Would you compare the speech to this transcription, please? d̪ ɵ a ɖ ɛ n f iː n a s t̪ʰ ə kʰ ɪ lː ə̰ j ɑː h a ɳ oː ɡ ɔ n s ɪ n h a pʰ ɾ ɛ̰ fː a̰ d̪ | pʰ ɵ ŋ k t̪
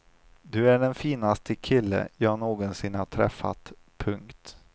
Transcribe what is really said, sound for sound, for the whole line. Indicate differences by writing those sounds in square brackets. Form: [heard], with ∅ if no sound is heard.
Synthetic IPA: d̪ ɵ [æ] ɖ ɛ n f iː n a s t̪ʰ ə kʰ ɪ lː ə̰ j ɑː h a ɳ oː ɡ ɔ n s ɪ n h a [ʈʰ] ɾ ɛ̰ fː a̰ [t̪] | pʰ ɵ ŋ k t̪